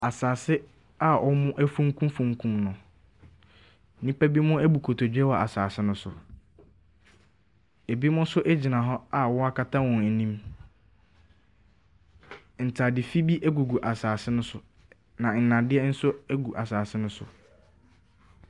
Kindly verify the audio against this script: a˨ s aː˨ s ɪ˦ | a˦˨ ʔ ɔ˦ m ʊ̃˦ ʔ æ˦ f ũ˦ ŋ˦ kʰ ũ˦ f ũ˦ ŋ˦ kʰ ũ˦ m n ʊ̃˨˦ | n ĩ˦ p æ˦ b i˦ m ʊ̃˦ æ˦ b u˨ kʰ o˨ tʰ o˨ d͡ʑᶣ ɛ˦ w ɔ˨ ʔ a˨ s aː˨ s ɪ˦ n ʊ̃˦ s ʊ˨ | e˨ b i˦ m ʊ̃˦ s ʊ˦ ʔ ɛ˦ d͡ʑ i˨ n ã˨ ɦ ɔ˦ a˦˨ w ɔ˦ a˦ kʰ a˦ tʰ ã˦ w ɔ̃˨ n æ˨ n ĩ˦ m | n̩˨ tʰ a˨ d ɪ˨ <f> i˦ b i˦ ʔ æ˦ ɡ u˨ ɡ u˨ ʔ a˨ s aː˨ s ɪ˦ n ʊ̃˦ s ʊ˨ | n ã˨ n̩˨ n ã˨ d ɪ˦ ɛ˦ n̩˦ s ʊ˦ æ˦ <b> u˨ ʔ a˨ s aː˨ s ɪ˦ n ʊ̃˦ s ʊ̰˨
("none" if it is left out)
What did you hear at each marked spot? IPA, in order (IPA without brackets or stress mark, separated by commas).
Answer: f, ɡ